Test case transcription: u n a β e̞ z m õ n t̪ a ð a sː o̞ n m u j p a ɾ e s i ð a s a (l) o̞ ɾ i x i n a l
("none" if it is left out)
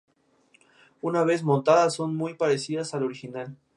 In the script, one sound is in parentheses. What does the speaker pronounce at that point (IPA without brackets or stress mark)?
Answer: l